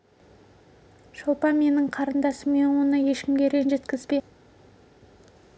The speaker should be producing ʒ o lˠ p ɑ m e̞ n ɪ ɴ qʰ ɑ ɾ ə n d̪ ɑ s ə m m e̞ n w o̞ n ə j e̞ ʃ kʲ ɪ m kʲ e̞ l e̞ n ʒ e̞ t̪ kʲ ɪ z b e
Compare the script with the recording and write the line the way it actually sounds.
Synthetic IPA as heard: ʃ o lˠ p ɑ m e̞ n ɪ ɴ qʰ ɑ ɾ ə n d̪ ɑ s ə m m e̞ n w o̞ n ə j e̞ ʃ kʲ ɪ m ɡʲ e̞ ɾ e̞ n ʒ e̞ t̪ kʲ ɪ z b e